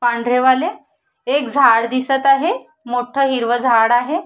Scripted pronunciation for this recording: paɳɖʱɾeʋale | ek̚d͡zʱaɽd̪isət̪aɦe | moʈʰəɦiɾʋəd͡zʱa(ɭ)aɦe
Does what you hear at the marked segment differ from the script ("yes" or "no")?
yes